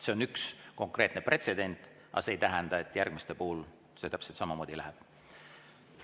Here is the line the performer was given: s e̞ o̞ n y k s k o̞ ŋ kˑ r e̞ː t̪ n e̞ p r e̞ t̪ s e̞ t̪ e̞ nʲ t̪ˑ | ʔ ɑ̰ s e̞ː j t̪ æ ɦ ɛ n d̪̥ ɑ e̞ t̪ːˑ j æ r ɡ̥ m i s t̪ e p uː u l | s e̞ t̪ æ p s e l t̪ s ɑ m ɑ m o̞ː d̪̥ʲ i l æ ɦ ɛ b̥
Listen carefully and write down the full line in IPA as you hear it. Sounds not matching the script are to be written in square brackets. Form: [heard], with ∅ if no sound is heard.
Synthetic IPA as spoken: s e̞ o̞ n y k s k o̞ ŋ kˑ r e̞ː t̪ n e̞ p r e̞ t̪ s e̞ [d̪] e̞ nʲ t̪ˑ | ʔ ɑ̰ s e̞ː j t̪ æ ɦ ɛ n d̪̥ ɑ e̞ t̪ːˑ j æ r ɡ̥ m i s t̪ e p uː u l | s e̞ t̪ æ p s e l t̪ s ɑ m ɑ m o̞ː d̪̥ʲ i l æ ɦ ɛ b̥